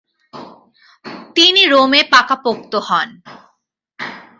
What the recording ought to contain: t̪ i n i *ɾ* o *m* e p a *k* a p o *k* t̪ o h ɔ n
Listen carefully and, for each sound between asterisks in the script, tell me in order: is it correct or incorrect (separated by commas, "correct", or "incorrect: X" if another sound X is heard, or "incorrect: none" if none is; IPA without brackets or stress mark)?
correct, correct, correct, correct